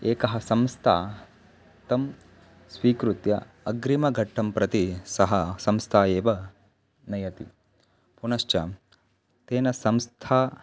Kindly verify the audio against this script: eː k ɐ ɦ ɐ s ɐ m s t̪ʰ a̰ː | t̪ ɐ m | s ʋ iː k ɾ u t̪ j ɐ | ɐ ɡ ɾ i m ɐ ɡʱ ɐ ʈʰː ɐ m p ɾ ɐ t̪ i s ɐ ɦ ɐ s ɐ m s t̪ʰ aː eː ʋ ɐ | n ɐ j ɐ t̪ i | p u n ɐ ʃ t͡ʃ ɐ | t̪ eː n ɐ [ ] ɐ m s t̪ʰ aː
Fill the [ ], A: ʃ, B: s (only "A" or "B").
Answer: B